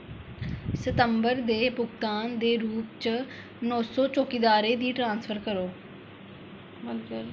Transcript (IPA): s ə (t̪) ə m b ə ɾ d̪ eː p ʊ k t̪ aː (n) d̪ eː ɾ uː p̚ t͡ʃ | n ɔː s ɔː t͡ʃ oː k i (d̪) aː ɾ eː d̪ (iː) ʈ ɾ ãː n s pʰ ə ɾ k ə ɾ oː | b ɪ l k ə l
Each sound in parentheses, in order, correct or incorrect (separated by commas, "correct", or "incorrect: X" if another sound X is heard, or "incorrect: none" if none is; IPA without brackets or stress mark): correct, correct, correct, correct